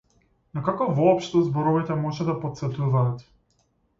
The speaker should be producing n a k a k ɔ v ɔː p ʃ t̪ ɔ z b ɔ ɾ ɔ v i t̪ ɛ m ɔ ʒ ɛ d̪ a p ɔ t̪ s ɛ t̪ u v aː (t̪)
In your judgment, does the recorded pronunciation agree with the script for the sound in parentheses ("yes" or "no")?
yes